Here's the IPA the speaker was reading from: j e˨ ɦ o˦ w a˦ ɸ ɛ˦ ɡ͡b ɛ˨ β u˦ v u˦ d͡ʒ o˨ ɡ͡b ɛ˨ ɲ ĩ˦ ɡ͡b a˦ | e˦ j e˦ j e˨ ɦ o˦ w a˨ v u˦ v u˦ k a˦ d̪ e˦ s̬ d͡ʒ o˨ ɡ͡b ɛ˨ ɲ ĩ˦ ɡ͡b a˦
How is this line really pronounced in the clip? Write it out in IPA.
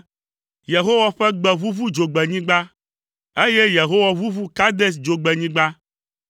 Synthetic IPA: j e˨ ɦ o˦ w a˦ ɸ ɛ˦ ɡ͡b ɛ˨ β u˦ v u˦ d͡ʒ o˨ ɡ͡b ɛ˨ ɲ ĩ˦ ɡ͡b a˦ | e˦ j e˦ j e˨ ɦ o˦ w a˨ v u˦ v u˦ k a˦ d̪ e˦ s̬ d͡ʒ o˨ ɡ͡b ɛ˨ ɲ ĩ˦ ɡ͡b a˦